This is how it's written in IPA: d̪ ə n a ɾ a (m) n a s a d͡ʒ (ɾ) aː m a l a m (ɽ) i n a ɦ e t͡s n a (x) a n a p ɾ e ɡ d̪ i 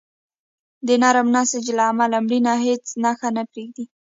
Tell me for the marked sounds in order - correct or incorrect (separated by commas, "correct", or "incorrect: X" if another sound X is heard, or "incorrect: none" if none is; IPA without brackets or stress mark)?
correct, incorrect: l, correct, correct